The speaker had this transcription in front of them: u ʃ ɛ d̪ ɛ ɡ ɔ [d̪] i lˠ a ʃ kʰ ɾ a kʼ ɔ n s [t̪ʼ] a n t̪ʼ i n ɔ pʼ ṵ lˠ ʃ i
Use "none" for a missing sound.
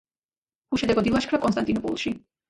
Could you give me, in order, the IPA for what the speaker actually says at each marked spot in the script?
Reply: d̪, t̪

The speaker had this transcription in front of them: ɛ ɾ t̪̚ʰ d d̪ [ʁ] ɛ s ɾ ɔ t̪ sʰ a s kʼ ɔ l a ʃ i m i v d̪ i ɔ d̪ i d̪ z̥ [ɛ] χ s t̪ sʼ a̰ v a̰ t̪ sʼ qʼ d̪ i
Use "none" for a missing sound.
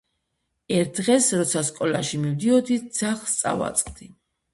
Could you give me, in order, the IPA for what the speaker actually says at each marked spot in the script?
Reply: ʁ, a

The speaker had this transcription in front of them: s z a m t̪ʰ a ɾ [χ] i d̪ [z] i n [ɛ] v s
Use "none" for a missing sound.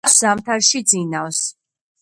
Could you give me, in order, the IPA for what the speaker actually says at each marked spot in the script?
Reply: ʃ, z, a

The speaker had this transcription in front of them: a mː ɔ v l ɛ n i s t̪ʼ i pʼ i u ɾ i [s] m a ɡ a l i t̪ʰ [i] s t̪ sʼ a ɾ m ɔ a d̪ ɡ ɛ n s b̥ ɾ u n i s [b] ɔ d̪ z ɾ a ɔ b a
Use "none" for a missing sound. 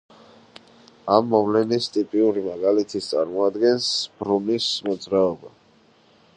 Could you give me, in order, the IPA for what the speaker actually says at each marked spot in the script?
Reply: none, i, m

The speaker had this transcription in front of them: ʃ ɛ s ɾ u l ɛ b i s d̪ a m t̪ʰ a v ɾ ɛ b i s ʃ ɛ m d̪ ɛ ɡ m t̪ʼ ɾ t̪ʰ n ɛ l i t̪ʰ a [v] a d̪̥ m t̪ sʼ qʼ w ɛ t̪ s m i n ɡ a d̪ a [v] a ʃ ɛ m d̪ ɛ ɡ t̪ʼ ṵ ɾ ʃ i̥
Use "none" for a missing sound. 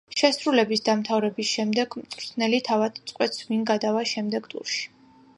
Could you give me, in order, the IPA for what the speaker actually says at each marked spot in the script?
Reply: v, v

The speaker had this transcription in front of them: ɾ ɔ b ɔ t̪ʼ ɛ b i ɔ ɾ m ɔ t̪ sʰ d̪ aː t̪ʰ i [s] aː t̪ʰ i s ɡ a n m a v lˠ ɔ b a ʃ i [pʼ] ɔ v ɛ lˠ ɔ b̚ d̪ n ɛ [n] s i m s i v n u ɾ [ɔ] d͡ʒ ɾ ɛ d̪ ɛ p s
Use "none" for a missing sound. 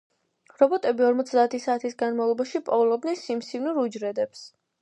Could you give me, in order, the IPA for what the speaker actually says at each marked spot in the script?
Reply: s, pʼ, n, u

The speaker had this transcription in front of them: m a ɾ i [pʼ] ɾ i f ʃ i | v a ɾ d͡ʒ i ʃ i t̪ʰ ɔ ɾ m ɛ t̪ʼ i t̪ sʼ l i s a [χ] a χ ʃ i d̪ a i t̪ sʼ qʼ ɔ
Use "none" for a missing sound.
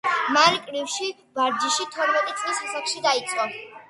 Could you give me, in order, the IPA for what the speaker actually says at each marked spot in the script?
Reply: kʼ, s

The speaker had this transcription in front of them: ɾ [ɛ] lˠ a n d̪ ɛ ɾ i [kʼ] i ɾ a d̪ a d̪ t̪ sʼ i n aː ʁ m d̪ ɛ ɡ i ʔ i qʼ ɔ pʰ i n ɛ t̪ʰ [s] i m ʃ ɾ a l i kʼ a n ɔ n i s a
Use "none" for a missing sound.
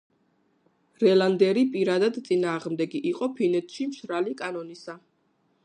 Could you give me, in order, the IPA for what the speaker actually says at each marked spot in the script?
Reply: ɛ, pʼ, ʃ

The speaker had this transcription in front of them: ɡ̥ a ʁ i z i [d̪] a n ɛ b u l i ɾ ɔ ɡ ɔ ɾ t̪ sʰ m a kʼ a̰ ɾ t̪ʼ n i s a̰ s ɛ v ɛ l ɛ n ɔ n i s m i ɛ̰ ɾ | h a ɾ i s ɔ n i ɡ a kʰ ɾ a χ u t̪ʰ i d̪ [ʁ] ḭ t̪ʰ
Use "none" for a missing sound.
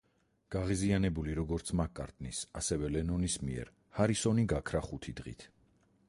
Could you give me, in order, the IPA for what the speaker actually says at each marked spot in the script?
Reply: none, ʁ

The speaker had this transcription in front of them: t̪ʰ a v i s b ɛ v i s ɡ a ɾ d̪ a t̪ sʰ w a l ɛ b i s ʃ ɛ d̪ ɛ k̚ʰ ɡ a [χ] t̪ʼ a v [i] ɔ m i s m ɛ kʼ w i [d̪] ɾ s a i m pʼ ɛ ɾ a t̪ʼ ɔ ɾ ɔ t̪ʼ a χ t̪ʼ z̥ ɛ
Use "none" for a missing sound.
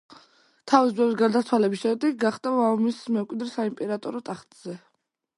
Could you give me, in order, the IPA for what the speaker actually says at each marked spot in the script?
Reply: χ, a, d̪

